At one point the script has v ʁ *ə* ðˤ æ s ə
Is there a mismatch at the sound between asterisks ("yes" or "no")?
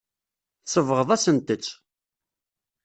no